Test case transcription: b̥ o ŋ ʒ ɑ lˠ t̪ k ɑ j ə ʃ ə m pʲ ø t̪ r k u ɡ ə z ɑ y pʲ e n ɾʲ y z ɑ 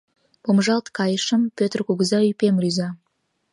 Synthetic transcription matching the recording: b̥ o m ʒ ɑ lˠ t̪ k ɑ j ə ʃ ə m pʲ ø t̪ r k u ɡ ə z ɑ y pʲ e m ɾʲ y z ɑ